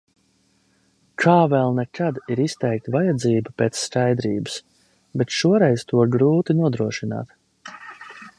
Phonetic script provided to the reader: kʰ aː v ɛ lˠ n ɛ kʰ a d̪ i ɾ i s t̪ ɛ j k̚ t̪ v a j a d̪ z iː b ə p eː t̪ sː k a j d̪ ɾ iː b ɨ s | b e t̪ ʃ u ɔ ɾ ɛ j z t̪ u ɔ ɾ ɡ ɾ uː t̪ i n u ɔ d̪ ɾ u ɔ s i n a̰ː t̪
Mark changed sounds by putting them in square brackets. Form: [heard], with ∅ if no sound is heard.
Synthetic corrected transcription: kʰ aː v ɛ lˠ n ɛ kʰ a d̪ i ɾ i s t̪ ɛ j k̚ t̪ v a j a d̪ z iː b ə p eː t̪ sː k a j d̪ ɾ iː b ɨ s | b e t̪ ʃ u ɔ ɾ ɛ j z t̪ u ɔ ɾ ɡ ɾ uː t̪ i n u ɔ d̪ ɾ u ɔ [ʃ] i n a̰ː t̪